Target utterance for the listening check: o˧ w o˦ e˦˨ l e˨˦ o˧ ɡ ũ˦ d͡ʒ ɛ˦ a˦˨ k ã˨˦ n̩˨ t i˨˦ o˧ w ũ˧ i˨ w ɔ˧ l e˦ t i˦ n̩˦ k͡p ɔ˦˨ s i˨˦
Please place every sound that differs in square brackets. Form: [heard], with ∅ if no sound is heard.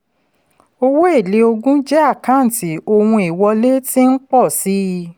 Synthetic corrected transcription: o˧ w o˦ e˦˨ l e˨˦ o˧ ɡ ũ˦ d͡ʒ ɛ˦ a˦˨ k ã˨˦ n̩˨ t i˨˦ o˧ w ũ˧ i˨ w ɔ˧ l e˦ t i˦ n̩˦ k͡p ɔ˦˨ s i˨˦